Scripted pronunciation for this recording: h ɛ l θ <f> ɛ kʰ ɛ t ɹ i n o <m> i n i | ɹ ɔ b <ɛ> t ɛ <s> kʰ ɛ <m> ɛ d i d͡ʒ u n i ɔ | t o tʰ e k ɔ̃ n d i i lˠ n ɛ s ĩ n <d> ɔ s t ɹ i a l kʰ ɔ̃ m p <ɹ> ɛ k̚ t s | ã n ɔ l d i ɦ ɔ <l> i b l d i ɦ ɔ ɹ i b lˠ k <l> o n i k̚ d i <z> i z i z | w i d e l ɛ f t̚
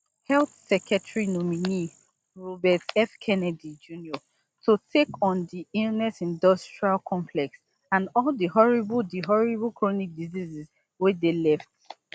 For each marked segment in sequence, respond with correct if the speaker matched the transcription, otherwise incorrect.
incorrect: s, correct, correct, incorrect: f, incorrect: n, correct, incorrect: l, incorrect: ɹ, incorrect: ɹ, correct

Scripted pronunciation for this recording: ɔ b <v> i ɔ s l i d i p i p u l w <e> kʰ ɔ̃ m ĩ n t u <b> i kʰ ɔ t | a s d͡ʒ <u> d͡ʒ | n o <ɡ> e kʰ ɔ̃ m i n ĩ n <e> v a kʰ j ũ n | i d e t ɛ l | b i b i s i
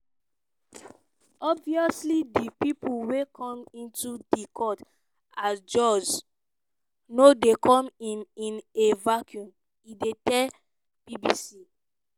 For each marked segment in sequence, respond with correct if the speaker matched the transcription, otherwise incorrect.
correct, correct, incorrect: d, incorrect: ɔ, incorrect: d, correct

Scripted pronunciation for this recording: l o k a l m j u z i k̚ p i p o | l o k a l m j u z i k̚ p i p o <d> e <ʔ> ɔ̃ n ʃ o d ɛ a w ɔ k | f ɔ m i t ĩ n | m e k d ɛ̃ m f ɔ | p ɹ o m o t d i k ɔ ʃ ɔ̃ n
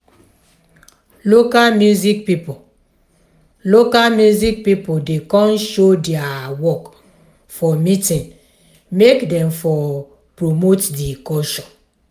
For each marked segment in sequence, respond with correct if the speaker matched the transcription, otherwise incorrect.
correct, incorrect: k

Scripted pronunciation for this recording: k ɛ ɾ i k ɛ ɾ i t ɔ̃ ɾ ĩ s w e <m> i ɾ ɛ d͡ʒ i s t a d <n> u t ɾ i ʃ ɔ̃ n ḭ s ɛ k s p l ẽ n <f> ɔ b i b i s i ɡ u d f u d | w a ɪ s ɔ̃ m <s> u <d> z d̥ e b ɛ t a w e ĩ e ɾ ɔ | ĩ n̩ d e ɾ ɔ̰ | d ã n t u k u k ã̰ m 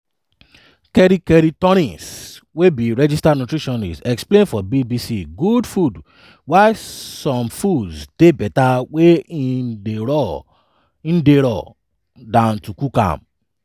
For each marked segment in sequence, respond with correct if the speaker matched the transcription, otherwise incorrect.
incorrect: b, correct, correct, incorrect: f, correct

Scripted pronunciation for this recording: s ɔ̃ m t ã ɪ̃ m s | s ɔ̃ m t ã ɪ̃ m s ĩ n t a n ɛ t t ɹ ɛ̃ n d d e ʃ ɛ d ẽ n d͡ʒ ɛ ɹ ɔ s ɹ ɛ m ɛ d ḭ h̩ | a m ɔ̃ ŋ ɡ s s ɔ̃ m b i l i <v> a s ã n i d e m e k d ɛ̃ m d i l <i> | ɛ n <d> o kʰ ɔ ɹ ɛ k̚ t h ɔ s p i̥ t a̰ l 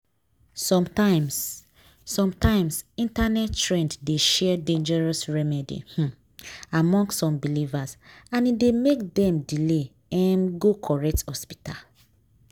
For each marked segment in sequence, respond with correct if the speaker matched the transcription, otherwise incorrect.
correct, incorrect: e, incorrect: ɡ

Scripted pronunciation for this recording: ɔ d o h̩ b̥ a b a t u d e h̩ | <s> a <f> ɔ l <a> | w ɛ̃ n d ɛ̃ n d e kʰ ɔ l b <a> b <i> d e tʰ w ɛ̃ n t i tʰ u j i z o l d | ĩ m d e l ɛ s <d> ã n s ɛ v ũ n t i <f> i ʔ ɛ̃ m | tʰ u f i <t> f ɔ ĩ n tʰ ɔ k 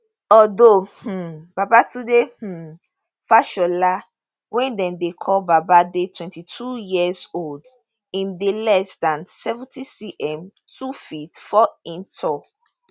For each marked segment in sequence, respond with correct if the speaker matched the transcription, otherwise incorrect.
incorrect: f, incorrect: ʃ, correct, correct, incorrect: a, correct, incorrect: s, correct

